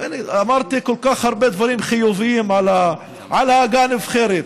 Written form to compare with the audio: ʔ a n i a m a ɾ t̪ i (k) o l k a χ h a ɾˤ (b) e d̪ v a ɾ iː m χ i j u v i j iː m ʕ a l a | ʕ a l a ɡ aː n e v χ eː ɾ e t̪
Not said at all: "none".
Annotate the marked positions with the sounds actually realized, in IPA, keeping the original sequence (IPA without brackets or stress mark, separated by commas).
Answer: k, b